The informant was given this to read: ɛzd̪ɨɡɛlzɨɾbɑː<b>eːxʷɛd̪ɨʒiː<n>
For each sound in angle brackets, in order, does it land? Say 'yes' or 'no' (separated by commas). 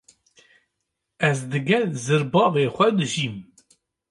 no, no